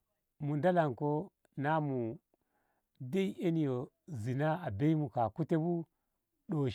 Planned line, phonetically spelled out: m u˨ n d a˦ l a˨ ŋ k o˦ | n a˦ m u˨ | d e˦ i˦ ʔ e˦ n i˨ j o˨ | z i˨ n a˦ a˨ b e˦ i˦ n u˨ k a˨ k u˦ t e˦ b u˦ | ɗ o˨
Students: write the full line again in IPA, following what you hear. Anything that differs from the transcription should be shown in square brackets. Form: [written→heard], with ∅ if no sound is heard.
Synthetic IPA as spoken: m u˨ n d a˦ l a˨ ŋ k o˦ | n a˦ m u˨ | d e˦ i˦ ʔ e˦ n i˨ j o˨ | z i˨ n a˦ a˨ b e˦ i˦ [n→m] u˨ k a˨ k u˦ t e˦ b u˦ | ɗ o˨

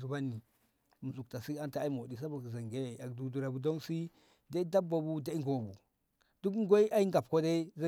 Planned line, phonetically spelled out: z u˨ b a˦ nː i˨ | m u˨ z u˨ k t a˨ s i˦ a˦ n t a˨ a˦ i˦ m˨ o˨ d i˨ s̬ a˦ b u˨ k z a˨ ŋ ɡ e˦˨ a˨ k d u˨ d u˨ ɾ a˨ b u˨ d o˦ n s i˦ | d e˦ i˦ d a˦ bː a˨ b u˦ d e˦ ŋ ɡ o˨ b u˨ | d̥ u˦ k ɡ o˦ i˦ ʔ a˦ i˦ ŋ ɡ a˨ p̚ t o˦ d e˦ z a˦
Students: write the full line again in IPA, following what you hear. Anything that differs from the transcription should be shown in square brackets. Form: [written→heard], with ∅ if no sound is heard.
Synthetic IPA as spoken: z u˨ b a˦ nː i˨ | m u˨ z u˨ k t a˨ s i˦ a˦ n t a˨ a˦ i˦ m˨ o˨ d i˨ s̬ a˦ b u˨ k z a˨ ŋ ɡ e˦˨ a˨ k d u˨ d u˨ ɾ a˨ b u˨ d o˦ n s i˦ | d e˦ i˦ d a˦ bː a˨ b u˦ d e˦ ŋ ɡ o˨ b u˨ | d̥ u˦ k ɡ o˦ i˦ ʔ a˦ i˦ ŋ ɡ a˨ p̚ [t→k] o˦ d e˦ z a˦

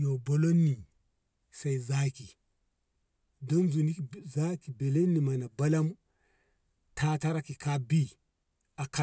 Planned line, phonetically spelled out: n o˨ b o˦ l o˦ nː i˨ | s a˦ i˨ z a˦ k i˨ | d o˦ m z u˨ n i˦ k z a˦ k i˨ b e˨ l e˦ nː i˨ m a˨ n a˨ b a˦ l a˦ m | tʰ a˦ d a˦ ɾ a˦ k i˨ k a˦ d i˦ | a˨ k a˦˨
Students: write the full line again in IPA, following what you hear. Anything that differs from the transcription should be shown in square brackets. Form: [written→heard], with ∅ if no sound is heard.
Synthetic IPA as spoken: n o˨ b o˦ l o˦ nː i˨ | s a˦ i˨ z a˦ k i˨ | d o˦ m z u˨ n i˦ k z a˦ k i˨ b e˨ l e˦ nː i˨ m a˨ n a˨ b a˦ l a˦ m | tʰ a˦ [d→t] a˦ ɾ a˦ k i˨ k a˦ [d→b] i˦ | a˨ k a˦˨

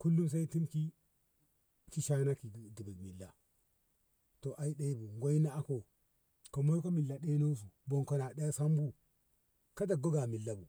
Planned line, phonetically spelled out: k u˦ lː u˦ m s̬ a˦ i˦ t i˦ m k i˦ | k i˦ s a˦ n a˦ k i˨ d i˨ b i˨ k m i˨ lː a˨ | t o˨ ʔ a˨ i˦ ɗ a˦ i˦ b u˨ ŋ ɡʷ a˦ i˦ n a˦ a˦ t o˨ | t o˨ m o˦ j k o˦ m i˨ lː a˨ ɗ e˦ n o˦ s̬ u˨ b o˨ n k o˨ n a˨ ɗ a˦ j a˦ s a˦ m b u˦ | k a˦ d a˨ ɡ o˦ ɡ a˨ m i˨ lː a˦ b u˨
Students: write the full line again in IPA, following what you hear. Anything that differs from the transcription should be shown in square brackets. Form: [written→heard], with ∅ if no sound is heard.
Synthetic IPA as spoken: k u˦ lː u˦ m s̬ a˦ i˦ t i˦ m k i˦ | k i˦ [s→ʃ] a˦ n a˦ k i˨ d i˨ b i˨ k m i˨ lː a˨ | t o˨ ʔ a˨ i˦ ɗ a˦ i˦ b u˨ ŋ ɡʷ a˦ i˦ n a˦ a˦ [t→k] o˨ | [t→k] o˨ m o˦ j k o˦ m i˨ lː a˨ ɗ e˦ n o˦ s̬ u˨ b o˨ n k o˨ n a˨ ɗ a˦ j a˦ s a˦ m b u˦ | k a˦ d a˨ ɡ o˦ ɡ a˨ m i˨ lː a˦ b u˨

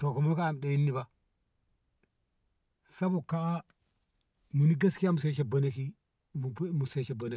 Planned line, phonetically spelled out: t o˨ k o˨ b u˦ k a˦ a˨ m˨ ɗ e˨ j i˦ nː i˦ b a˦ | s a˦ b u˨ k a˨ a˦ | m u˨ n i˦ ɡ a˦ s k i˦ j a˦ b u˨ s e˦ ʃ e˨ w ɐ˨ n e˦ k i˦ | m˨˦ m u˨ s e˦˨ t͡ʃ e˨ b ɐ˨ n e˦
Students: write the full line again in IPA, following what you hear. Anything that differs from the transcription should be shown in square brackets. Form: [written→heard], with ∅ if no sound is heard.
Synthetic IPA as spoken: t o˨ k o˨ [b→m] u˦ k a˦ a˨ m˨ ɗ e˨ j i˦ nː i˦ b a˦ | s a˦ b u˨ k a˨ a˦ | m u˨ n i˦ ɡ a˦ s k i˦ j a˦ [b→m] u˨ s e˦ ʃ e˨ [w→b] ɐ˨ n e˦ k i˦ | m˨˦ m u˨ s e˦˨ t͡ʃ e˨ b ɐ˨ n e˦

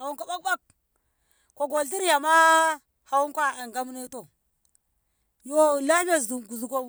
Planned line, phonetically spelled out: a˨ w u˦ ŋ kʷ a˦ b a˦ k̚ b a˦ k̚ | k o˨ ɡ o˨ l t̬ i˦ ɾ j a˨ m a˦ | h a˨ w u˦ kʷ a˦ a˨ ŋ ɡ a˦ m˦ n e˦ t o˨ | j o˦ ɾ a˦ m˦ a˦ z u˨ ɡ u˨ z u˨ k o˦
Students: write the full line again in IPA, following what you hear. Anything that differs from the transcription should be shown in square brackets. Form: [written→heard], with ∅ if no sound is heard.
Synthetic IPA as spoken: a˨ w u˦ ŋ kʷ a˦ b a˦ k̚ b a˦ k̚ | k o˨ ɡ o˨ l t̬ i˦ ɾ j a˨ m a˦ | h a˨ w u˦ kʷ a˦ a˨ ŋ ɡ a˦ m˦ n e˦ t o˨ | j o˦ [ɾ→l] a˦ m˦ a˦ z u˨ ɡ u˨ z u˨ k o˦

